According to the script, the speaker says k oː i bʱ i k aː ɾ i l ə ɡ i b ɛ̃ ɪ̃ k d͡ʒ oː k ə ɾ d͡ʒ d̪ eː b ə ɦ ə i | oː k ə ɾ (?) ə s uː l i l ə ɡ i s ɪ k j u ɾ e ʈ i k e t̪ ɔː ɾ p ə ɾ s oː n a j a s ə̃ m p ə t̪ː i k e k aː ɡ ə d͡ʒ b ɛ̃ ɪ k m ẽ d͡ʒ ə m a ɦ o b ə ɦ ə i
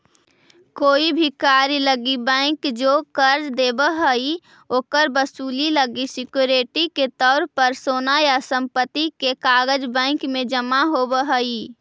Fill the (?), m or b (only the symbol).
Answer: b